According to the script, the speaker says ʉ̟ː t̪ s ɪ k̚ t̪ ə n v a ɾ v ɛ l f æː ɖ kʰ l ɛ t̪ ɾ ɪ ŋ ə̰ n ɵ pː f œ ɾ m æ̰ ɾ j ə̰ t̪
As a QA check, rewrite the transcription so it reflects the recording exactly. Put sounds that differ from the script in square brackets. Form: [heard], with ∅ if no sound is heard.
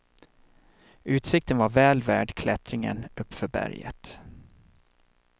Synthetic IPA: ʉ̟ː t̪ s ɪ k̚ t̪ ə n v a ɾ v [ɛː] l [v] æː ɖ kʰ l ɛ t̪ ɾ ɪ ŋ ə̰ n ɵ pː f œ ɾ [b] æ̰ ɾ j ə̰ t̪

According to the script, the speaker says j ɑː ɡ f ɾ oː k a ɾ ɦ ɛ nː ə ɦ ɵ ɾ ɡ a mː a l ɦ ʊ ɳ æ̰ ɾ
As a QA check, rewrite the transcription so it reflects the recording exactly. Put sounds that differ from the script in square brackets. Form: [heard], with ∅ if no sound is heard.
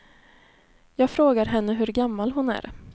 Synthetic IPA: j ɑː ɡ f ɾ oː [ɡ] a ɾ ɦ ɛ nː ə ɦ ɵ ɾ ɡ a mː a l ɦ ʊ [n] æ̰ ɾ

